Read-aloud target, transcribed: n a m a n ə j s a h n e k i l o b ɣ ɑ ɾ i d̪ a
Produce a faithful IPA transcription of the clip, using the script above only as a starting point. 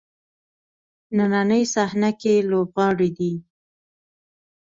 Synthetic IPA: n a n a n ə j s a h n a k e l o b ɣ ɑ ɽ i d̪ i